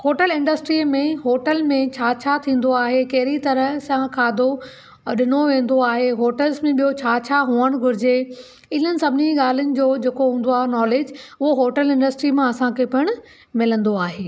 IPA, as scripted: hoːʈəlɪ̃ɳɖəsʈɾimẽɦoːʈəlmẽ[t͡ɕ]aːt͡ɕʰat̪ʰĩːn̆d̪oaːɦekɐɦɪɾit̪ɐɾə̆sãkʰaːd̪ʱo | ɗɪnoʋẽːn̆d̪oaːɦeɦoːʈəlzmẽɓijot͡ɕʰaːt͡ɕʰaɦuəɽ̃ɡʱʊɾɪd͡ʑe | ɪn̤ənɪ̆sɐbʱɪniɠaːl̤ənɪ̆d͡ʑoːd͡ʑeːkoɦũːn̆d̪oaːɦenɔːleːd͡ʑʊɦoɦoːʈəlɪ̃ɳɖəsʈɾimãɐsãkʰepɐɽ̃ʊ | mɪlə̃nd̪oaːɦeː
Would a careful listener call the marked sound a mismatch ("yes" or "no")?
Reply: yes